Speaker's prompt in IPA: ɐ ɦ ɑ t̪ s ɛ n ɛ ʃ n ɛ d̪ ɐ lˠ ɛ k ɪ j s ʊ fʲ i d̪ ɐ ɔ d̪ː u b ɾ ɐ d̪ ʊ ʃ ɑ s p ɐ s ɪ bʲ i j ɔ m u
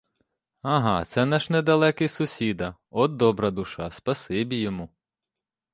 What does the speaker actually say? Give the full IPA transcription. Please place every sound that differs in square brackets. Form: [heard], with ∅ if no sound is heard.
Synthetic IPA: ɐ ɦ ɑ t̪ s ɛ n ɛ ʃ n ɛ d̪ ɐ lˠ ɛ k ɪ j s ʊ [sʲ] i d̪ ɐ ɔ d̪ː [ɔ] b ɾ ɐ d̪ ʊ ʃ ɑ s p ɐ s ɪ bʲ i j ɔ m u